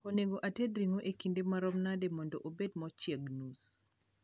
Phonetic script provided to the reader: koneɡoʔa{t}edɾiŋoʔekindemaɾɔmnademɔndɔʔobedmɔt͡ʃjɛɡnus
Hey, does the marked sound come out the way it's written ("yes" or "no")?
yes